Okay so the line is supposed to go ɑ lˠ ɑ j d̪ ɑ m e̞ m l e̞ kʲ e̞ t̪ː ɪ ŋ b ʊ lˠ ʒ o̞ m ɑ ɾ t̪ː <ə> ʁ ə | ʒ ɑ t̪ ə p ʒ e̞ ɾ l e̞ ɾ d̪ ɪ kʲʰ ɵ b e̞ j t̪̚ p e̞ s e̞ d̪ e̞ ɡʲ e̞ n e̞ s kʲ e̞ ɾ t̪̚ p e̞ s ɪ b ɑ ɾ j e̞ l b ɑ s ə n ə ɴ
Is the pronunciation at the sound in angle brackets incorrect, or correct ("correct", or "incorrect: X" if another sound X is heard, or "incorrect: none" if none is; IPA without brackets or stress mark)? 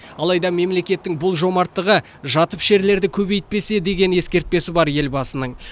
correct